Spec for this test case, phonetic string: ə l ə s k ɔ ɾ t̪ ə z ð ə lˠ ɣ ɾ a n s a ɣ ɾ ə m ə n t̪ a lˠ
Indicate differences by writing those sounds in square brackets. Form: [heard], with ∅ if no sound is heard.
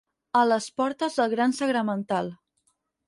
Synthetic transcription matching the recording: ə l ə s [p] ɔ ɾ t̪ ə z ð ə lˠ ɣ ɾ a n s [ə] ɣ ɾ ə m ə n t̪ a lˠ